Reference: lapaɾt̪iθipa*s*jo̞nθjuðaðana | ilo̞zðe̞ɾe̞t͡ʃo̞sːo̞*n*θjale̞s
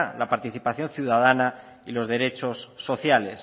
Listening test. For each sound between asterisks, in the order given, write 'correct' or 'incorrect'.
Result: incorrect: θ, incorrect: none

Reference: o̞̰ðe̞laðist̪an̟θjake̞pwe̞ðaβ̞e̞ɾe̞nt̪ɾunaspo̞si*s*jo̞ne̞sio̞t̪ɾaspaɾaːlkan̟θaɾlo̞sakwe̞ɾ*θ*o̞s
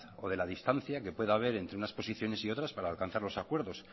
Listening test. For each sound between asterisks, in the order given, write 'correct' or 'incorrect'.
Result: incorrect: θ, incorrect: ð

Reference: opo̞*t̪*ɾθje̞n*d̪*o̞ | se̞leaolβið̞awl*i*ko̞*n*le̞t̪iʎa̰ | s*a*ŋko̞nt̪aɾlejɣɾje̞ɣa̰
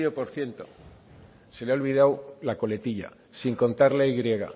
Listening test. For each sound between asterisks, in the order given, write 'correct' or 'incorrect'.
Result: incorrect: none, incorrect: t̪, incorrect: a, incorrect: none, incorrect: i

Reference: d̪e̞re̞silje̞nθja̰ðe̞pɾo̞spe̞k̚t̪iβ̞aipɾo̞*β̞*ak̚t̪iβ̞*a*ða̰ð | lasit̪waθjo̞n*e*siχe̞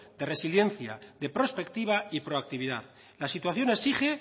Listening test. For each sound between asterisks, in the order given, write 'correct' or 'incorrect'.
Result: incorrect: none, incorrect: i, correct

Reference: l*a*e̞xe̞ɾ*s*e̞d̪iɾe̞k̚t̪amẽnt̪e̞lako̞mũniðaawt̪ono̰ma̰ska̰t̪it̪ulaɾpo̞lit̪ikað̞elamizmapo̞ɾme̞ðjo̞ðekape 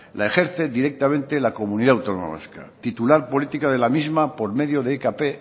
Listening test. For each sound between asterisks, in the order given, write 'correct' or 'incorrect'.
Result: correct, incorrect: θ

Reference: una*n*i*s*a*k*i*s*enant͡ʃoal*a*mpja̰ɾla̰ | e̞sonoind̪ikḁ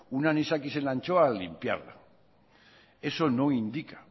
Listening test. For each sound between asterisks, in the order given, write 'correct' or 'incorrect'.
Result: correct, correct, correct, correct, incorrect: i

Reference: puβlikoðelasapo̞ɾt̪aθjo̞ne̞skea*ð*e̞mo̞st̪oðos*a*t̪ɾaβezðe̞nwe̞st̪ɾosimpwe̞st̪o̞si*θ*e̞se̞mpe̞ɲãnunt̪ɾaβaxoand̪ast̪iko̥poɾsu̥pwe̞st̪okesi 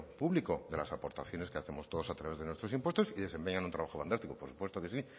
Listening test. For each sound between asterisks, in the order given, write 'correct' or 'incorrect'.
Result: incorrect: θ, correct, incorrect: ð

